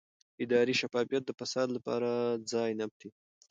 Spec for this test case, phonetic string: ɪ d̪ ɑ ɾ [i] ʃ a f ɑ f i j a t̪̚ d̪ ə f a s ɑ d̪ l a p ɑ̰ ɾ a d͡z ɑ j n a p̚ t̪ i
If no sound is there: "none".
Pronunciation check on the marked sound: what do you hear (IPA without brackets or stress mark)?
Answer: i